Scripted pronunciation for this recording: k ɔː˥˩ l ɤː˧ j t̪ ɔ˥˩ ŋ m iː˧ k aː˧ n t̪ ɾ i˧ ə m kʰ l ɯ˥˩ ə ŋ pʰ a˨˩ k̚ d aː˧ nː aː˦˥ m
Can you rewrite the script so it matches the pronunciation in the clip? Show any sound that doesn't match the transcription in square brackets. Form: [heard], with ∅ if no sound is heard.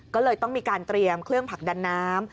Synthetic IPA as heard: k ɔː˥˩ l ɤː˧ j t̪ ɔ˥˩ ŋ m iː˧ k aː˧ n t̪ ɾ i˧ ə m kʰ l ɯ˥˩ ə ŋ pʰ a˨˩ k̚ d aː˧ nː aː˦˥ m